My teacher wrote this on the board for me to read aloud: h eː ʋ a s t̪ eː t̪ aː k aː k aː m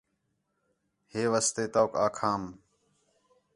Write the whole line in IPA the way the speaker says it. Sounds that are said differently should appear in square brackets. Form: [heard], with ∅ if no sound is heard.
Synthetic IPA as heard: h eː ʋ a s t̪ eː t̪ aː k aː [kʰ] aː m